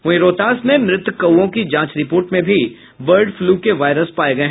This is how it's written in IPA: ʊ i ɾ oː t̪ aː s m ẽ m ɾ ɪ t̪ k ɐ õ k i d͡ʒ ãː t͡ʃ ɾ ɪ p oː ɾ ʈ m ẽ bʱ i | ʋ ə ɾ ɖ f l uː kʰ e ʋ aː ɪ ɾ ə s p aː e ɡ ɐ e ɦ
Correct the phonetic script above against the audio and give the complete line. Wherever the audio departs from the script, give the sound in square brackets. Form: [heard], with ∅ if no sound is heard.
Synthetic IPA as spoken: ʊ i ɾ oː t̪ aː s m ẽ m ɾ ɪ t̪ k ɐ õ k i d͡ʒ ãː t͡ʃ ɾ ɪ p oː ɾ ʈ m ẽ bʱ i | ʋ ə ɾ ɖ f l uː [k] e ʋ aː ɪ ɾ ə s p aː e ɡ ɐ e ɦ